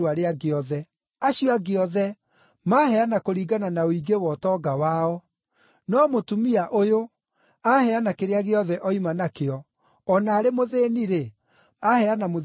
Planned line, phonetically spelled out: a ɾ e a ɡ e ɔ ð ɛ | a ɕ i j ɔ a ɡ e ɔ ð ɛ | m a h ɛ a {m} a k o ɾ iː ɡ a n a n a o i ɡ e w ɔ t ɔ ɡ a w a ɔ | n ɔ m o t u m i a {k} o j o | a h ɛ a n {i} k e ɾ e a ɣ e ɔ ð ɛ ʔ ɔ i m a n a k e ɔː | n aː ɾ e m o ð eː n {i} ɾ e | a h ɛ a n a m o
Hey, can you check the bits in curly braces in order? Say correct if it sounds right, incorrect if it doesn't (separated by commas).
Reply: incorrect, incorrect, incorrect, correct